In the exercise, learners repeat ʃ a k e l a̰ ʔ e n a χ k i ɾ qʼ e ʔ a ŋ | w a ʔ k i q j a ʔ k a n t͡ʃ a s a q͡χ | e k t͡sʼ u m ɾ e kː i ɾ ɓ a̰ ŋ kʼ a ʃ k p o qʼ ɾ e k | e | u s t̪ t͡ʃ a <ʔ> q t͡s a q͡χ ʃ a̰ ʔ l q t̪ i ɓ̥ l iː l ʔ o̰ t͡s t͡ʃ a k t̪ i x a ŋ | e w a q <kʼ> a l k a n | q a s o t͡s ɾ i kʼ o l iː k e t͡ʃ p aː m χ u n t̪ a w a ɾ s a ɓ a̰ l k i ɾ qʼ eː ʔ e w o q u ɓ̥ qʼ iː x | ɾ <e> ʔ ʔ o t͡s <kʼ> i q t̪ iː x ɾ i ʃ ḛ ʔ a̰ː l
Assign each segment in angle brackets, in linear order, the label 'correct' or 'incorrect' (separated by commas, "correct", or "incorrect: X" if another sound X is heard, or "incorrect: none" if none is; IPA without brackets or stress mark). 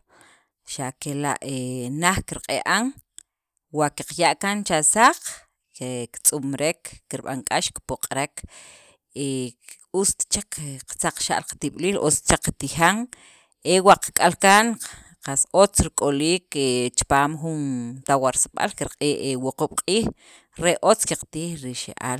incorrect: k, correct, correct, incorrect: k